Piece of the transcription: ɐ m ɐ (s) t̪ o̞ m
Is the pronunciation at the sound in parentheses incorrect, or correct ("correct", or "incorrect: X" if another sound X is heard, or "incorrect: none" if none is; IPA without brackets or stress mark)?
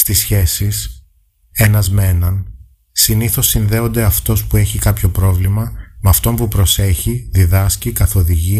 incorrect: f